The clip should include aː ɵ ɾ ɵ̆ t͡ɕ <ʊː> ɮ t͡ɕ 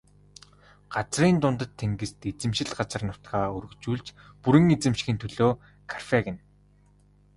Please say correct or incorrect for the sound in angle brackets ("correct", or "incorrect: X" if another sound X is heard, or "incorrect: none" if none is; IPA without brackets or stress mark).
incorrect: uː